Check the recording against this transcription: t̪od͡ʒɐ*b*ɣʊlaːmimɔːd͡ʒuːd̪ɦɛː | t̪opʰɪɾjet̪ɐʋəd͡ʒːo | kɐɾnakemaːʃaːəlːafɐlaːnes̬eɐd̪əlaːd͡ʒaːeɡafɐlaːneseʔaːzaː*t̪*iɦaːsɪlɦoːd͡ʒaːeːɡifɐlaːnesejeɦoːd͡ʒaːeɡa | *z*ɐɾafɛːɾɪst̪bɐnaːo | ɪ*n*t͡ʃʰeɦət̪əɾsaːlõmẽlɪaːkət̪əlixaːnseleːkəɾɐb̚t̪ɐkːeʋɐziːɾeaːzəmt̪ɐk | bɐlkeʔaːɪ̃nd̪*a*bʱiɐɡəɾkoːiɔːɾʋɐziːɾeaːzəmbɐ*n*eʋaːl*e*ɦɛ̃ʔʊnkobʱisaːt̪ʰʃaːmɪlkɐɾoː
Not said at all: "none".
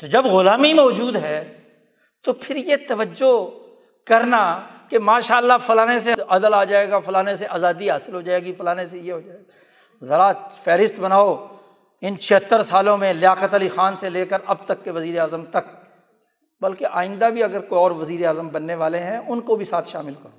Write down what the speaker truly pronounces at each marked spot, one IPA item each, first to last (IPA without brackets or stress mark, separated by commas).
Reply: b, d̪, z, n, a, nː, e